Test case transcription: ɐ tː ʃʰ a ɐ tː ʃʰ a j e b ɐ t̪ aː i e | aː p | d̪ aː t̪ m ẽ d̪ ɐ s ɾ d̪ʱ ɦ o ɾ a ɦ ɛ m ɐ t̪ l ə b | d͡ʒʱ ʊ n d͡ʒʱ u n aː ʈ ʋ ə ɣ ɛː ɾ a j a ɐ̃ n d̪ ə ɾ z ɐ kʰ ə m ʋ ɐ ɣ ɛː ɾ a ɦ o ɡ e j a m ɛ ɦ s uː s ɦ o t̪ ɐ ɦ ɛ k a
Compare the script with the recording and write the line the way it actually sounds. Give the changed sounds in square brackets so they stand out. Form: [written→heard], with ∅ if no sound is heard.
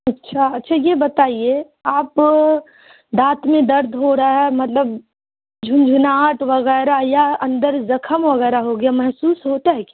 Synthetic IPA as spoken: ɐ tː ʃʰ a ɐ tː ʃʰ a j e b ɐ t̪ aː i e | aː p | d̪ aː t̪ m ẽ d̪ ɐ [s→∅] ɾ d̪ʱ ɦ o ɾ a ɦ ɛ m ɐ t̪ l ə b | d͡ʒʱ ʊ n d͡ʒʱ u n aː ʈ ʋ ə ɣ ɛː ɾ a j a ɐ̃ n d̪ ə ɾ z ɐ kʰ ə m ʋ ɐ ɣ ɛː ɾ a ɦ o ɡ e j a m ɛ ɦ s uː s ɦ o t̪ [ɐ→a] ɦ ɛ k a